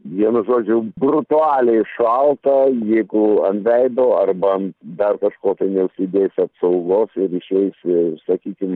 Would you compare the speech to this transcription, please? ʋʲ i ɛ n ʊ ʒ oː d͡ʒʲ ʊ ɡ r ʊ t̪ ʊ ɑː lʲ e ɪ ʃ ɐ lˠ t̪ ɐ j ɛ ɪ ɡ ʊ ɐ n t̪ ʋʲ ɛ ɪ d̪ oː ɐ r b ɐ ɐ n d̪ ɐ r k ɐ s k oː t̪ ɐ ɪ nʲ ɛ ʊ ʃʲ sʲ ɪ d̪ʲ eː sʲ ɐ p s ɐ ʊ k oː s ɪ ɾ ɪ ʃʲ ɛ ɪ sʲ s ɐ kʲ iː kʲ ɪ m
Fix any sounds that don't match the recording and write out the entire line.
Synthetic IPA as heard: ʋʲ i ɛ n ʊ ʒ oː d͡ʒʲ ʊ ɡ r ʊ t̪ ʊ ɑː lʲ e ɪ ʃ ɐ lˠ t̪ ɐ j ɛ ɪ ɡ ʊ ɐ n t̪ ʋʲ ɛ ɪ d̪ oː ɐ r b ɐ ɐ n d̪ ɐ r k ɐ ʃ k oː t̪ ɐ ɪ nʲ ɛ ʊ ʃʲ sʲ ɪ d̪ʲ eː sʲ ɐ p s ɐ ʊ ɡ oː s ɪ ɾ ɪ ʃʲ ɛ ɪ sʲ s ɐ kʲ iː kʲ ɪ m